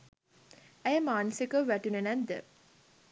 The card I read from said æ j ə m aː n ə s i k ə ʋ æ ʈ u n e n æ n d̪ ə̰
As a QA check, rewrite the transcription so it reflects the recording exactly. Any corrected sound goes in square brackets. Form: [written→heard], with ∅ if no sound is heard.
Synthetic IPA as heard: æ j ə m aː n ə s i k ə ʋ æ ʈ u n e n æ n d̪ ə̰